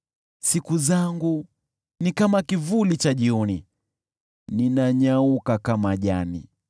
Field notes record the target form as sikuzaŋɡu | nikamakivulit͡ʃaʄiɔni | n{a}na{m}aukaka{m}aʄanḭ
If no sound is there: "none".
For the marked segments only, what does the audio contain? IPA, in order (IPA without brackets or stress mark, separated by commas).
i, ɲ, m